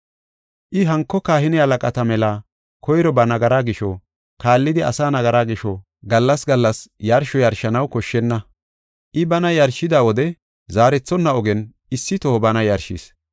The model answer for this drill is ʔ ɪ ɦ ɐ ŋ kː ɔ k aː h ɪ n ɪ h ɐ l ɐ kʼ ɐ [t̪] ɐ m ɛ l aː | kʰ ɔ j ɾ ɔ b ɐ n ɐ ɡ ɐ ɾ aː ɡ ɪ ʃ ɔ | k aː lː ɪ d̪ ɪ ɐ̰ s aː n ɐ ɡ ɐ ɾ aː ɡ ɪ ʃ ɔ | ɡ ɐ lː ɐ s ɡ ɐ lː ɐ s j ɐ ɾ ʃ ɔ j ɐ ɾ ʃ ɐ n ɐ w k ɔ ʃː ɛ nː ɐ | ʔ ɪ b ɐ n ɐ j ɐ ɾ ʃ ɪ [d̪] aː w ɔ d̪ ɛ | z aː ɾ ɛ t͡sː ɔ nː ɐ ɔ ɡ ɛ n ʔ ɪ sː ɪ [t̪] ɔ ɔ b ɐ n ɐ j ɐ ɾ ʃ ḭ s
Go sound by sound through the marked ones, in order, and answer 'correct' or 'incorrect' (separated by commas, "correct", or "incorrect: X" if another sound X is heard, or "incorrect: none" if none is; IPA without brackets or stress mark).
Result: correct, correct, correct